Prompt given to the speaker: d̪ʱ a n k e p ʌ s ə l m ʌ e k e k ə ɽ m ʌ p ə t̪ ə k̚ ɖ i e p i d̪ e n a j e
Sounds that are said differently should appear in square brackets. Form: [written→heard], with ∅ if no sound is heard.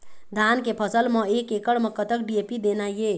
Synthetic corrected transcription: d̪ʱ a n k e [p→pʰ] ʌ s ə l m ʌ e k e k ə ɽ m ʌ [p→k] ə t̪ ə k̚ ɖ i e p i d̪ e n a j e